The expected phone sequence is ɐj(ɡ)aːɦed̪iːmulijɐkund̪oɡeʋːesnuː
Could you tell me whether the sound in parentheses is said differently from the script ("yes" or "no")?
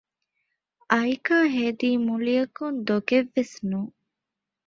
yes